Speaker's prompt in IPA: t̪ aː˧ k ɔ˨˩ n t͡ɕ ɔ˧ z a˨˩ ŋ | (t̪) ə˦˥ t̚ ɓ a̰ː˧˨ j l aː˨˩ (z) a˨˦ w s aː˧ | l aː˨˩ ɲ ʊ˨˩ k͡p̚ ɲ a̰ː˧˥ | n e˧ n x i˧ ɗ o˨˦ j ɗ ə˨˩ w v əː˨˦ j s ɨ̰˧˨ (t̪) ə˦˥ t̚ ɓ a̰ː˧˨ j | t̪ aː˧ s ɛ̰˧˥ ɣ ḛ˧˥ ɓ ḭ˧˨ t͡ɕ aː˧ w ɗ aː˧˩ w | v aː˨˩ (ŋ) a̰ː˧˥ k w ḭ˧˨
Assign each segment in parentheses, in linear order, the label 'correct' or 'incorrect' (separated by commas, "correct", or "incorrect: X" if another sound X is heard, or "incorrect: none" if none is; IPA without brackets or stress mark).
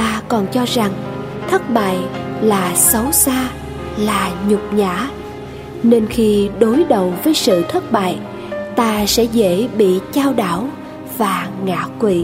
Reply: incorrect: t̪ʰ, incorrect: s, incorrect: t̪ʰ, correct